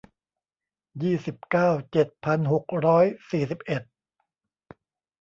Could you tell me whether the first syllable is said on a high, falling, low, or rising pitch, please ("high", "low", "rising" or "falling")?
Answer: falling